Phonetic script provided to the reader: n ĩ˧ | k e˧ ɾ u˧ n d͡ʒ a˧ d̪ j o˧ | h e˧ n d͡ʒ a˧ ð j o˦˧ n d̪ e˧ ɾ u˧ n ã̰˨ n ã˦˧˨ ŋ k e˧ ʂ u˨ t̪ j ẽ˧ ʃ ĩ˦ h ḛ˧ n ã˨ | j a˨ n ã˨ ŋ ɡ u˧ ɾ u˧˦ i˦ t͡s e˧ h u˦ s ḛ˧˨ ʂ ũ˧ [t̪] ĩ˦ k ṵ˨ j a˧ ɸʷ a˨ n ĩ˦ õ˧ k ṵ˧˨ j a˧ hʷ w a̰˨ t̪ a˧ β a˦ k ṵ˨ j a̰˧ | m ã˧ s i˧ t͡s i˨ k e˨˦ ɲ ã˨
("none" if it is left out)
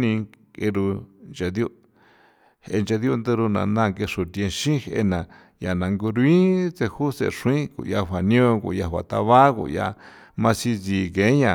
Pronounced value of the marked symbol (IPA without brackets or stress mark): none